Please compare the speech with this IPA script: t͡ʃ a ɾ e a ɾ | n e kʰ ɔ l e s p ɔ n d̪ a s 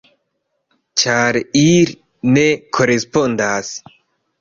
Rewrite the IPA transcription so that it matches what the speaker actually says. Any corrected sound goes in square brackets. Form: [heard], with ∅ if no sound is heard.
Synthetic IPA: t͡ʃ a ɾ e [i] ɾ | n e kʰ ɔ [ɾ] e s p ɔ n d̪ a s